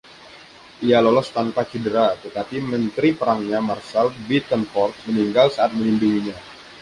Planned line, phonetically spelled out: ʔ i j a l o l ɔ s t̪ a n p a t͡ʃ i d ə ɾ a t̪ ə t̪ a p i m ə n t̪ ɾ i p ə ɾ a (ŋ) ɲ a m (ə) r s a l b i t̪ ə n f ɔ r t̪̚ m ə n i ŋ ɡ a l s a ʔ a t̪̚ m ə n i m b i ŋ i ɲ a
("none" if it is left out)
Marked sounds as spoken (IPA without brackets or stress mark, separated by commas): ŋ, a